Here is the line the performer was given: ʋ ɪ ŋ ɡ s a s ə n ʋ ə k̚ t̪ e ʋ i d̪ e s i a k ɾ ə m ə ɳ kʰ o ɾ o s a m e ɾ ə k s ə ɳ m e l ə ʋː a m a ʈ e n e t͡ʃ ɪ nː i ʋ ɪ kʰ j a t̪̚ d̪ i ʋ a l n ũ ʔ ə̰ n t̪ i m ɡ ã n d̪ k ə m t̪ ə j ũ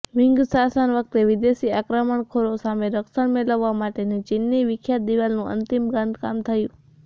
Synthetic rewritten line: ʋ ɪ ŋ ɡ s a s ə n ʋ ə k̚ t̪ e ʋ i d̪ e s i a k ɾ ə m ə ɳ kʰ o ɾ o s a m e ɾ ə k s ə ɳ m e l ə ʋː a m a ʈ e n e t͡ʃ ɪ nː i ʋ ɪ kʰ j a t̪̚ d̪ i ʋ a l n ũ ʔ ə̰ n t̪ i m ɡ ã n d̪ k a m t̪ʰ ə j ũ